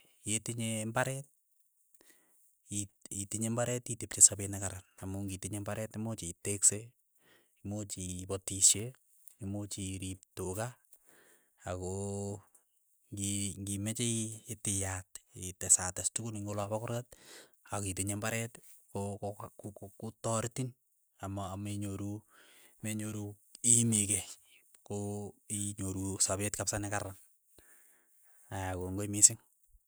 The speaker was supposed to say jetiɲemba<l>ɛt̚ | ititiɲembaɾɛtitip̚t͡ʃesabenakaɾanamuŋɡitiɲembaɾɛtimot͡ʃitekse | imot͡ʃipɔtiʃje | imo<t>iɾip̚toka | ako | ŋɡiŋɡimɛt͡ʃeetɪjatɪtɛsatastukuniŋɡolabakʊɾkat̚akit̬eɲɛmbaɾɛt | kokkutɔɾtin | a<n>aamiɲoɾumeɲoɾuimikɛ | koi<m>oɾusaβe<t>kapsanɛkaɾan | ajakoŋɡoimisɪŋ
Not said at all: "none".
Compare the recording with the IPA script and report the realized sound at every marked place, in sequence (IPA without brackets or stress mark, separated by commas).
ɾ, t͡ʃ, m, ɲ, t